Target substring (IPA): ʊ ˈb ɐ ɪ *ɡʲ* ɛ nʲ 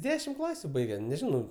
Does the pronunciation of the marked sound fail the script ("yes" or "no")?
no